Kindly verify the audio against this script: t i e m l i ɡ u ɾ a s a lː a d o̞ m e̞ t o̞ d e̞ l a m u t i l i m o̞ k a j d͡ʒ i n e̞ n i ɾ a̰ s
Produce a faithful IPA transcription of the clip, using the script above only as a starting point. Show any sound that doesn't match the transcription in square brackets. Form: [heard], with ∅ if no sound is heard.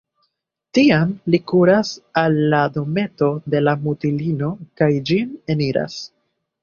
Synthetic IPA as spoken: t i [a] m l i [k] u ɾ a s a lː a d o̞ m e̞ t o̞ d e̞ l a m u t i l i [n] o̞ k a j d͡ʒ i n e̞ n i ɾ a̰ s